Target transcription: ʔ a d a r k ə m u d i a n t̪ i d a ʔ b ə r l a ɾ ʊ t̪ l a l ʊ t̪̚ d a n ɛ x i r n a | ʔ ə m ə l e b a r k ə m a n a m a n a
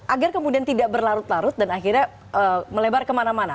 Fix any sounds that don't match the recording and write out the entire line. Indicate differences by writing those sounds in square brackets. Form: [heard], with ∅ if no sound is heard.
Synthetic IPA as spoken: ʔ a [ɡ] a r k ə m u d i a n t̪ i d a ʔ b ə r l a ɾ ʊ t̪ l a [ɾ] ʊ t̪̚ d a n [a] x i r [ɲ] a | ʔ ə m ə l e b a r k ə m a n a m a n a